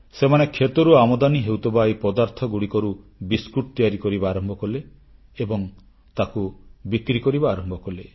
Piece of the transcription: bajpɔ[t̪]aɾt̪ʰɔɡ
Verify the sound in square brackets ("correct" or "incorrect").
incorrect